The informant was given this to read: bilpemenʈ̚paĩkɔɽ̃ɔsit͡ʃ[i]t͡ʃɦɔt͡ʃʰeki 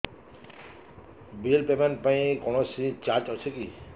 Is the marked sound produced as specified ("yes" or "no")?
no